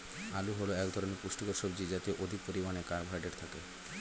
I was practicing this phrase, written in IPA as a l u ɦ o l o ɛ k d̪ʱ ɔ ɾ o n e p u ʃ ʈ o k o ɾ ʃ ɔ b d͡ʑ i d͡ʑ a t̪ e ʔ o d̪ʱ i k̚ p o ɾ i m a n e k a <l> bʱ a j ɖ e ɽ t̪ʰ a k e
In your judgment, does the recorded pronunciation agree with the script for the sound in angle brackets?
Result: no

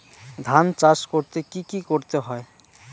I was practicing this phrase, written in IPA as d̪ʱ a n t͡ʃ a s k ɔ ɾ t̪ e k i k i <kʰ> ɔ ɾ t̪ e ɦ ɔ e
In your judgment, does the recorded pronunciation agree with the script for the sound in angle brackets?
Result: no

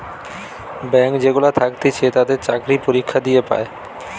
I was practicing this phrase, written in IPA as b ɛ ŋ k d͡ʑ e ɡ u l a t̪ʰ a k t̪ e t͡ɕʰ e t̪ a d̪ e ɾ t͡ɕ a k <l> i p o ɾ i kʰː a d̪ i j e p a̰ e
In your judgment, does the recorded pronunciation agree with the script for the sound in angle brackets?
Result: no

